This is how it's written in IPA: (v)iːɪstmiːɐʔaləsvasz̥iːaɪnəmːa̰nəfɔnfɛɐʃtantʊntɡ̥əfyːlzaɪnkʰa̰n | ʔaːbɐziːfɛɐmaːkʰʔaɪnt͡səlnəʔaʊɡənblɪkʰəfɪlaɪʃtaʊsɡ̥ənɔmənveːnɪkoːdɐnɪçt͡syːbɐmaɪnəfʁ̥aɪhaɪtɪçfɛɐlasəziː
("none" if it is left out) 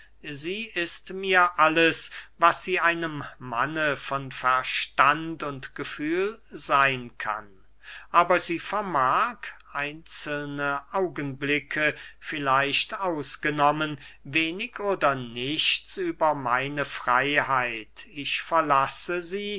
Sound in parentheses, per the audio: z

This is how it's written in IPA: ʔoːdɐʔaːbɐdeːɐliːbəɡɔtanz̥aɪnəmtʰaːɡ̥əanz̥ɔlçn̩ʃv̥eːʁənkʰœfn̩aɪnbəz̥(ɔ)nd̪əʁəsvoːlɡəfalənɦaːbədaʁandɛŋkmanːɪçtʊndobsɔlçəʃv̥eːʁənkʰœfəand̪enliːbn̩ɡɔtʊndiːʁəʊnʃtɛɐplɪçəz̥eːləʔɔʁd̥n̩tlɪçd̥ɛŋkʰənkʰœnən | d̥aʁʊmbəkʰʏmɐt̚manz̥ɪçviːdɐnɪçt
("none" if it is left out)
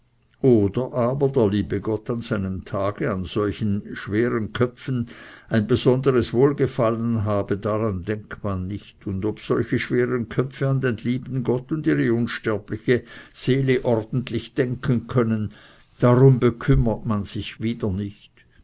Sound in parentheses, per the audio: ɔ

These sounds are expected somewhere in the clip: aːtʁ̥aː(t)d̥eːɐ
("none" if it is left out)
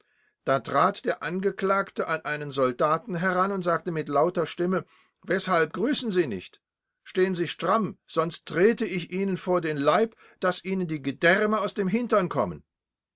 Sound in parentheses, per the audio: t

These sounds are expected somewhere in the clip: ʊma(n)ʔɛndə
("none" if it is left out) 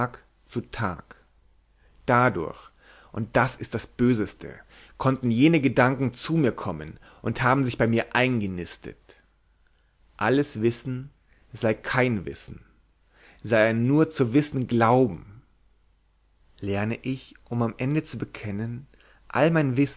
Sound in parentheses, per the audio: m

